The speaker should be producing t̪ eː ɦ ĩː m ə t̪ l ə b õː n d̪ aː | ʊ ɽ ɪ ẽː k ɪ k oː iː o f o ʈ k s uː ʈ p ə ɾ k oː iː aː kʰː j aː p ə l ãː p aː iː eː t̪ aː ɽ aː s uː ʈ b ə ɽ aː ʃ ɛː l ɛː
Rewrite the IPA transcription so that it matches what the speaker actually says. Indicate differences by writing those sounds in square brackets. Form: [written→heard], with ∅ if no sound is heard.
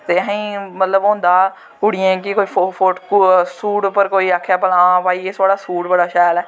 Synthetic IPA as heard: t̪ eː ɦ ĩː m ə t̪ l ə b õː n d̪ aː | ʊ ɽ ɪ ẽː k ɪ k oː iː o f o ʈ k s uː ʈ p ə ɾ k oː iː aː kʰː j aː p ə l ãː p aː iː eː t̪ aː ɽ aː s uː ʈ b ə ɽ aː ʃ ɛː l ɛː